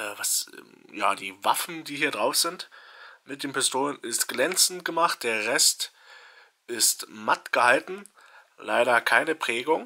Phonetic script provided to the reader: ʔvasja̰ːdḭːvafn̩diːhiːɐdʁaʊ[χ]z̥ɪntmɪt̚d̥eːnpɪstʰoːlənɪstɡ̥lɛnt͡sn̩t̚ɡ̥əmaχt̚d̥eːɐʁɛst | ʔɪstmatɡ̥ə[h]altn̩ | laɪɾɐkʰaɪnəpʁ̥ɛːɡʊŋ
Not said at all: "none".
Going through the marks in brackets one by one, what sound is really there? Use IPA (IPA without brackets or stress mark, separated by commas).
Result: f, h